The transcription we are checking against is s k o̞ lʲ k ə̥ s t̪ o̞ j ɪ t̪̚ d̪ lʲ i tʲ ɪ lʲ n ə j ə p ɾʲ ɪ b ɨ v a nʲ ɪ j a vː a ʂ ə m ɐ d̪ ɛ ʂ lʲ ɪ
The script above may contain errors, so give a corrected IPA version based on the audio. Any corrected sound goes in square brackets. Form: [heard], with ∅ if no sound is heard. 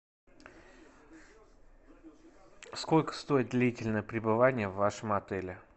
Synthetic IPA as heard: s k o̞ lʲ k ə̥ s t̪ o̞ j ɪ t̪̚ d̪ lʲ i tʲ ɪ lʲ n ə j ə p ɾʲ ɪ b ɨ v a nʲ ɪ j [ə] vː a ʂ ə m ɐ [t̪] ɛ [∅] lʲ ɪ